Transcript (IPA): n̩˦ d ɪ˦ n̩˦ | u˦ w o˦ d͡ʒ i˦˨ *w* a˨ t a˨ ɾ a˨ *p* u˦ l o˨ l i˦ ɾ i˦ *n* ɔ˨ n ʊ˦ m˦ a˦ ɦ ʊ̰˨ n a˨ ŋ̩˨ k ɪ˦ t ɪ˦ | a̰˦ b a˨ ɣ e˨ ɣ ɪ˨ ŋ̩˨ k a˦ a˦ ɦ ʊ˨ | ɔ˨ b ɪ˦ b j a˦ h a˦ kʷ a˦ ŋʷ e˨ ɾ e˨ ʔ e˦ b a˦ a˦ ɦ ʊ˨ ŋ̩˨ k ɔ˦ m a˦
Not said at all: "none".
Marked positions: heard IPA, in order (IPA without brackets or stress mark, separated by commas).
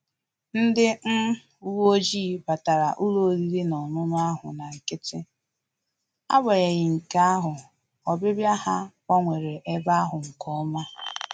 b, ʔ, n